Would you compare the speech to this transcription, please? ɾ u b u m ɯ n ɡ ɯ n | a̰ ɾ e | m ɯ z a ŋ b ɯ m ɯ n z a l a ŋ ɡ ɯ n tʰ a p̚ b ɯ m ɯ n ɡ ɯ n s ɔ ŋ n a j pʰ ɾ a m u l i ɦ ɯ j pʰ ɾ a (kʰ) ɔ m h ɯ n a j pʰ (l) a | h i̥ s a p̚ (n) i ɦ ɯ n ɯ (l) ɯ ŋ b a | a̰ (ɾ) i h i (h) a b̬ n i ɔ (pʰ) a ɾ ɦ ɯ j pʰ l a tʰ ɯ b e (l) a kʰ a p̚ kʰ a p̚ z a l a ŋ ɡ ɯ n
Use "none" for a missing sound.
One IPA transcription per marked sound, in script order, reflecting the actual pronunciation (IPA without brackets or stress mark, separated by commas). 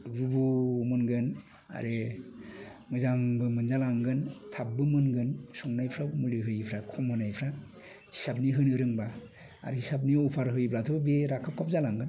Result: kʰ, ɾ, n, ɾ, ɾ, s, pʰ, ɾ